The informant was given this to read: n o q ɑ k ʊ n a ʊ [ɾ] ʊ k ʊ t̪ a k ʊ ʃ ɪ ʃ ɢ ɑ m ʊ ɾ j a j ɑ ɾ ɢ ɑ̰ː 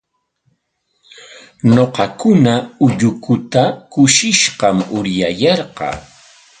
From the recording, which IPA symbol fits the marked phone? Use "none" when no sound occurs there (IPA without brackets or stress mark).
ʎ